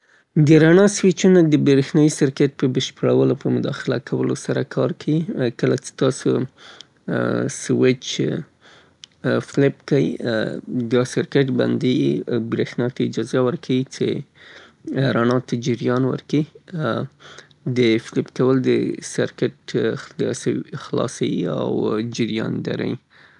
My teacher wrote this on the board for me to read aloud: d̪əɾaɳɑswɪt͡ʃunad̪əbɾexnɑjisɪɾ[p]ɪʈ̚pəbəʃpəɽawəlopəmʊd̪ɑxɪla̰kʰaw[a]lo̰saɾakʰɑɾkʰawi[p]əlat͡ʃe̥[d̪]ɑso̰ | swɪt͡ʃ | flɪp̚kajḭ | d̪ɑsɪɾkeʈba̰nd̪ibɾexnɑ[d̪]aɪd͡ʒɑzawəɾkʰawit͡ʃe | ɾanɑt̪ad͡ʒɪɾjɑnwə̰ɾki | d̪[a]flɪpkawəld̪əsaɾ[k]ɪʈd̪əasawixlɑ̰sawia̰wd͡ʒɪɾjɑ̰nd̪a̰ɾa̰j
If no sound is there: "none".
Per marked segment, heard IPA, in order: k, ə, k, t̪, t̪, ə, k

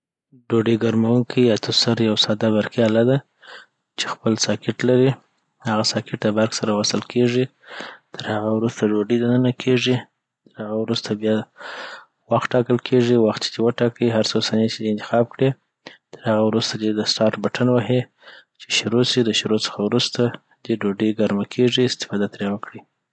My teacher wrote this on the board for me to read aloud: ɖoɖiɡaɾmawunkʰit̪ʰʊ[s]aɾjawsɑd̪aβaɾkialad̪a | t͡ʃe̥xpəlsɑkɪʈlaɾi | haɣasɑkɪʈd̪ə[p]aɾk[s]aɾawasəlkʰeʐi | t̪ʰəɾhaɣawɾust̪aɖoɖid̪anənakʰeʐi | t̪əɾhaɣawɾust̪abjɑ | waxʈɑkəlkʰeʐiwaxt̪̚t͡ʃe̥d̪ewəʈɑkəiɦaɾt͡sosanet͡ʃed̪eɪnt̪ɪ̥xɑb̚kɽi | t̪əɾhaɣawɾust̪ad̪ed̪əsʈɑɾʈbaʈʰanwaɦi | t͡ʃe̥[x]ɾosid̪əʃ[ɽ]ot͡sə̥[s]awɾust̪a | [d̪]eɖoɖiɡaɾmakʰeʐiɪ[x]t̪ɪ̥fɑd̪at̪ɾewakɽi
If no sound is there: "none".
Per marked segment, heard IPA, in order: s, b, s, ʃ, ɾ, x, d̪, s

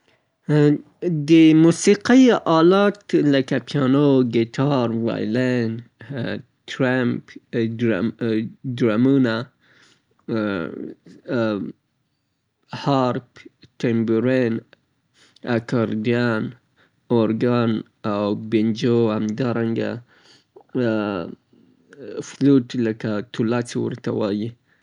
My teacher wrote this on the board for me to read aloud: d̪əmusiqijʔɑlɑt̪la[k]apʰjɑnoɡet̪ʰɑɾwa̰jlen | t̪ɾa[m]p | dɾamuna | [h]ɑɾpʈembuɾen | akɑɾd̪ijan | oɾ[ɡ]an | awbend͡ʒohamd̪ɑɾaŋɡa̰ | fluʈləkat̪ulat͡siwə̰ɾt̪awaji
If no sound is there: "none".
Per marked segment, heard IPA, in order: k, m, h, ɡ

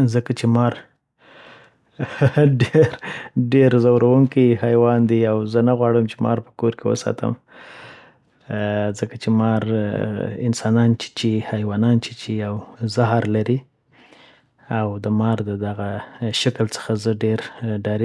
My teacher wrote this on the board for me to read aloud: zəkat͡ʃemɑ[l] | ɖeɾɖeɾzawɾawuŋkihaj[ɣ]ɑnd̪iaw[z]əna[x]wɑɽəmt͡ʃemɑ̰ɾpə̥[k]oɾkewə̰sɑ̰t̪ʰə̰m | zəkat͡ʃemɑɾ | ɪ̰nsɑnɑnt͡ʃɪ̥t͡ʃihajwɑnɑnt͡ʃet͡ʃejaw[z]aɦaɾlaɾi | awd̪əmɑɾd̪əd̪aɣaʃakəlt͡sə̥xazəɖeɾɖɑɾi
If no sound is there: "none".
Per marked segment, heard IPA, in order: ɾ, w, z, ɣ, k, z

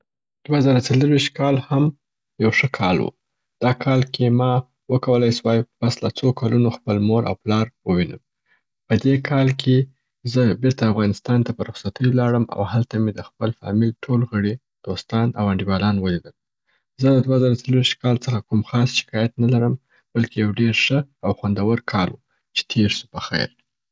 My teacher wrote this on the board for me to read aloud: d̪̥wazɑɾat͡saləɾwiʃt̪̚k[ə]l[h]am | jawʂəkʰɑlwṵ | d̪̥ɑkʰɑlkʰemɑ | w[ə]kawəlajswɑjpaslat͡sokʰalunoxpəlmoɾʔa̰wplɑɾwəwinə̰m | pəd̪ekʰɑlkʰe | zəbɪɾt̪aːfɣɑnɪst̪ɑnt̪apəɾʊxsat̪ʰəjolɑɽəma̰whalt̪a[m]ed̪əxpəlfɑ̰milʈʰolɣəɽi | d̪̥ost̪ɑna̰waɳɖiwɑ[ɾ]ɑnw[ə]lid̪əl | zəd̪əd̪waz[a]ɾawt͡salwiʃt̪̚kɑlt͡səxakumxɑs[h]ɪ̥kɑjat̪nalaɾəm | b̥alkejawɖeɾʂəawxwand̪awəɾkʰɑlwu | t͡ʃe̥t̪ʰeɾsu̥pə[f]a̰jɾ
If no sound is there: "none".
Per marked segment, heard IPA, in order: ɑ, h, ə, m, l, ə, ɑ, ʃ, x

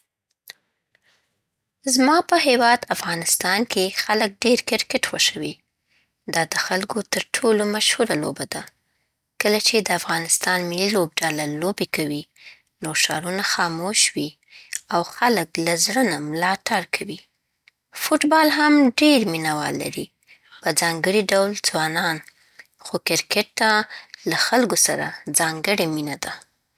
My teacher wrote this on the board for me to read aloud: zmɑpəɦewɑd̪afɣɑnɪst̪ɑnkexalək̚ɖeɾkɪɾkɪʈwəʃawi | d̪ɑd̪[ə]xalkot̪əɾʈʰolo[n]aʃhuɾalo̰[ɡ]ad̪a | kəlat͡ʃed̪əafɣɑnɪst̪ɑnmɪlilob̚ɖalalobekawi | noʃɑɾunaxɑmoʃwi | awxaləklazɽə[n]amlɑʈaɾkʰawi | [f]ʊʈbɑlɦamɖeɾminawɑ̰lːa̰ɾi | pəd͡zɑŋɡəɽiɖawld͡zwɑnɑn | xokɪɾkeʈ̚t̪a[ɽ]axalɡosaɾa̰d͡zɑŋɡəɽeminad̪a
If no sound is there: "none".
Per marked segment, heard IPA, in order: ə, m, b, n, f, l

